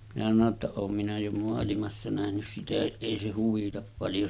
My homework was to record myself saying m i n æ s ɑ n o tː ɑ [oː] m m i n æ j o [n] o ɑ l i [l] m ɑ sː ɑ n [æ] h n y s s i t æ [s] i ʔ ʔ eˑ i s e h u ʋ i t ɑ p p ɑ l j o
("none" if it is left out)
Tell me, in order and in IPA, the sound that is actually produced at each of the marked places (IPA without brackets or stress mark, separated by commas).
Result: oː, m, none, æ, h